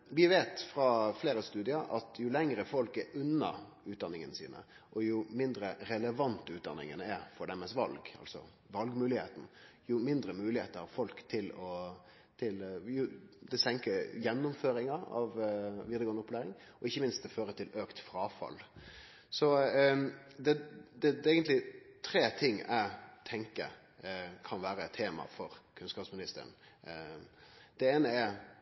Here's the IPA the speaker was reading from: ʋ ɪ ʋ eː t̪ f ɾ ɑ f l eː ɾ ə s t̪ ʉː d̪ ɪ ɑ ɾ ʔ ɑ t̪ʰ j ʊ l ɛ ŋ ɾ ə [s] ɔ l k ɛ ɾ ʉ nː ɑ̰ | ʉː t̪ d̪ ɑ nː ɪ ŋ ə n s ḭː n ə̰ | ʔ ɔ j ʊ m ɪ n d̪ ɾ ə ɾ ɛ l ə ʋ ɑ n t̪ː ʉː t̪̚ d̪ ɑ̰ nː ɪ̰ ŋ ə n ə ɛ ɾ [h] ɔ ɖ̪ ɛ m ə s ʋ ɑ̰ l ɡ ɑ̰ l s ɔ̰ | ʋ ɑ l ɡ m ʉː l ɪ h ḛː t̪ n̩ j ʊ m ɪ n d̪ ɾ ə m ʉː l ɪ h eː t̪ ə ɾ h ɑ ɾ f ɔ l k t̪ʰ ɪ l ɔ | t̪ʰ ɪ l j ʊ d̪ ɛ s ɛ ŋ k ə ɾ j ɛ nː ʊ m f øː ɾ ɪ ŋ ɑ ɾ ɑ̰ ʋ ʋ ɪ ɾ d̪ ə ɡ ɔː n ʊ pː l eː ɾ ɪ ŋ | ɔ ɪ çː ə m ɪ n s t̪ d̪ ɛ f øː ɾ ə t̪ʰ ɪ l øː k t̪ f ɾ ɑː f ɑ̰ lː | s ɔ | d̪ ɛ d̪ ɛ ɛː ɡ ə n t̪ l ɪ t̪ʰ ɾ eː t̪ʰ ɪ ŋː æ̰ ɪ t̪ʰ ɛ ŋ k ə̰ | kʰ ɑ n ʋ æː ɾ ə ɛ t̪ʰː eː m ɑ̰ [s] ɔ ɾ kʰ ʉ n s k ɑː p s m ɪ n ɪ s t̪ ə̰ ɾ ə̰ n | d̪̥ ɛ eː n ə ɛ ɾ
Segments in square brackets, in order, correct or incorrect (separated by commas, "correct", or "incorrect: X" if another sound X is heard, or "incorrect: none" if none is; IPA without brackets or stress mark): incorrect: f, incorrect: f, incorrect: f